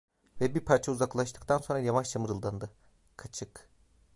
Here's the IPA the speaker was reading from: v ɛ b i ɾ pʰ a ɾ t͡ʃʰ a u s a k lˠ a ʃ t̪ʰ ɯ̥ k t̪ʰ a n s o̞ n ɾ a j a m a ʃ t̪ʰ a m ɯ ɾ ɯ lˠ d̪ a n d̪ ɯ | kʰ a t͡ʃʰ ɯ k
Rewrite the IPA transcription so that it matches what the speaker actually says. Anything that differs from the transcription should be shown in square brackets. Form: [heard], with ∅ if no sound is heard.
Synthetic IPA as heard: v ɛ b i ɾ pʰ a ɾ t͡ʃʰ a u [z] a k lˠ a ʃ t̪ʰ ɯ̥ k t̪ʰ a n s o̞ n ɾ a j a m a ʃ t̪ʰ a m ɯ ɾ ɯ lˠ d̪ a n d̪ ɯ | kʰ a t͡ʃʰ ɯ k